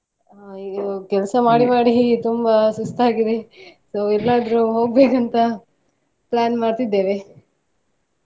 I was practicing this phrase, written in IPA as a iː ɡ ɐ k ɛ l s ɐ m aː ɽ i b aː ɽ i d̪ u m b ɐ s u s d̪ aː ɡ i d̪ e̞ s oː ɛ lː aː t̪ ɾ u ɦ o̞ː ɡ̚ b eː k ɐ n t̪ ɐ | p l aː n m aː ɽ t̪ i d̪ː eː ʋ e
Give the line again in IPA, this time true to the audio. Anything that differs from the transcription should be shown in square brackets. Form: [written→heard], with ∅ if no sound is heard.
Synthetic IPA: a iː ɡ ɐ k ɛ l s ɐ m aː ɽ i [b→m] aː ɽ i [d̪→t̪] u m b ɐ s u s [d̪→t̪] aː ɡ i d̪ e̞ s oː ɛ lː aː [t̪→d̪] ɾ u ɦ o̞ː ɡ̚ b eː k ɐ n t̪ ɐ | p l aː n m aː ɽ t̪ i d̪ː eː ʋ e